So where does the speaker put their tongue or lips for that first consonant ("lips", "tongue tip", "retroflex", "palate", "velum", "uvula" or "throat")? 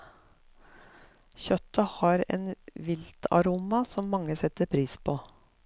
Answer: palate